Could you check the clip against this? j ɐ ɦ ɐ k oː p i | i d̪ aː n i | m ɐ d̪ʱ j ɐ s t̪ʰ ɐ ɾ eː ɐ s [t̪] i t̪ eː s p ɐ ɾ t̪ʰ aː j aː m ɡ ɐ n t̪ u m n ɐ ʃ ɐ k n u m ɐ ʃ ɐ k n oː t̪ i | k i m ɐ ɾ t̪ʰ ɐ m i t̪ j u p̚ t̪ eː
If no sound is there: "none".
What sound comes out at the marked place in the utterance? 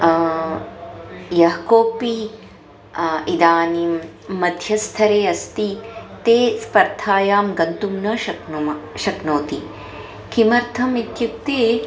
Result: t̪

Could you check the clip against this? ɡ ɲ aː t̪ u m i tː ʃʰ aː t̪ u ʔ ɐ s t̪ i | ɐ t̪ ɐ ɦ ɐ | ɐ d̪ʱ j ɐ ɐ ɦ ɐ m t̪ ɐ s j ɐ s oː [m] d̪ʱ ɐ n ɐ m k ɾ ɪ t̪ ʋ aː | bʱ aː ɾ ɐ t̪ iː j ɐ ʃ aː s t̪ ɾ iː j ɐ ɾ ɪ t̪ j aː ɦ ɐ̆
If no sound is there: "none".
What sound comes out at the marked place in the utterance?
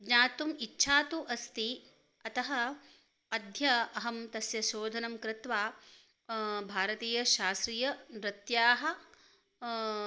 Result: none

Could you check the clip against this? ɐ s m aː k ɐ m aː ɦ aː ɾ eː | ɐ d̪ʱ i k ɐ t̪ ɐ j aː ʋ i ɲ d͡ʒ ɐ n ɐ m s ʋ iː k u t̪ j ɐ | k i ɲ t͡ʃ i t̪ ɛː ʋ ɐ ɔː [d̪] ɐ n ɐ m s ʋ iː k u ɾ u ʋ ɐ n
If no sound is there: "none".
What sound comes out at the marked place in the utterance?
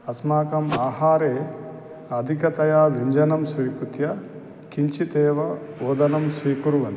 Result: d̪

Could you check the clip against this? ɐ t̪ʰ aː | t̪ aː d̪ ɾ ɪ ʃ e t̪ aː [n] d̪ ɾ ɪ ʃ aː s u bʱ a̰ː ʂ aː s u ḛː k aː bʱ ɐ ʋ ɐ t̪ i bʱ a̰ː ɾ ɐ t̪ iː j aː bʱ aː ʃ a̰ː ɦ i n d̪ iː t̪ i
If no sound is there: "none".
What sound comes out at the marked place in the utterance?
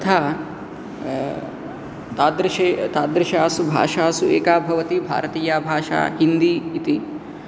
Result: none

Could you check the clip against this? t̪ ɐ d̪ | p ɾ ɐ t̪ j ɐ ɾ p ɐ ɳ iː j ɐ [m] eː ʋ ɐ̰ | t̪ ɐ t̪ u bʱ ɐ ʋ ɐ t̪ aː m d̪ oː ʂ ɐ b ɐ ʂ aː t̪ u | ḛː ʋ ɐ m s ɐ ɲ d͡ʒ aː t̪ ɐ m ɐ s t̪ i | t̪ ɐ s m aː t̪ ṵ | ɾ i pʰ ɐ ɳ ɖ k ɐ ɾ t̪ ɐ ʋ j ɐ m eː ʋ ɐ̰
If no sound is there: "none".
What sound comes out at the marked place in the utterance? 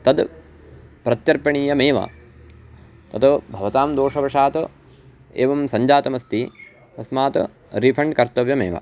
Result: m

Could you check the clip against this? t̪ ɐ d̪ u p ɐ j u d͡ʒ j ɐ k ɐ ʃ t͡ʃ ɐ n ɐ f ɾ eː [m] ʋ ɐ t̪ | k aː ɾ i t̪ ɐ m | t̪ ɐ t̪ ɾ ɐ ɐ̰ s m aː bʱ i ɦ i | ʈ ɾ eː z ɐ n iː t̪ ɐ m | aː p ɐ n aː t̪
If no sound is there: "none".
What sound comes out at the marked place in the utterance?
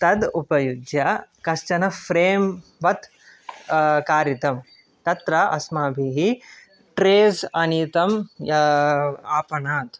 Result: m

